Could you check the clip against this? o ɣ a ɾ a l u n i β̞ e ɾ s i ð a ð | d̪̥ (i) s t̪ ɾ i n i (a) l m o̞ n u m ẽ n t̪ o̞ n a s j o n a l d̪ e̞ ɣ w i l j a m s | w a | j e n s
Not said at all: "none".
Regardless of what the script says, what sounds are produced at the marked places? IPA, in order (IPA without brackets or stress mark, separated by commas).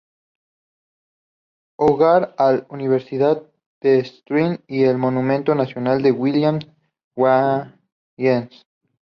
e, e